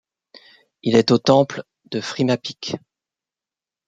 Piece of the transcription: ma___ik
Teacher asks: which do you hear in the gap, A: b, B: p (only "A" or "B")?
B